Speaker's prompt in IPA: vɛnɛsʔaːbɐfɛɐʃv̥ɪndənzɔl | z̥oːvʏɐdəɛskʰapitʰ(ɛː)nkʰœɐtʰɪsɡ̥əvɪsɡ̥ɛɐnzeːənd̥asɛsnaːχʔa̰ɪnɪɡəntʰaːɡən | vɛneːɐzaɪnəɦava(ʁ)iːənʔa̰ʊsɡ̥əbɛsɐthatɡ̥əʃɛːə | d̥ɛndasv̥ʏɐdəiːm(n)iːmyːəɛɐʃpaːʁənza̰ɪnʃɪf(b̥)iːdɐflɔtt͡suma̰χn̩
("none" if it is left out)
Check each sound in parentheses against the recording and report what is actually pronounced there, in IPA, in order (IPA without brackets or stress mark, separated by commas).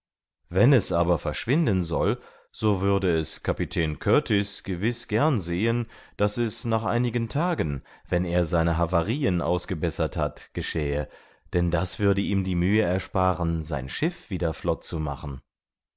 ɛː, ʁ, d, v̥